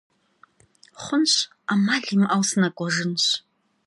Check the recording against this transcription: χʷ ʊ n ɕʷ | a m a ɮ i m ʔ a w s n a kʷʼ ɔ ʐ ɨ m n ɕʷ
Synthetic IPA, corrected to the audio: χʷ ʊ n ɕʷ | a m a ɮ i m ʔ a w s n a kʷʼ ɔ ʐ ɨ n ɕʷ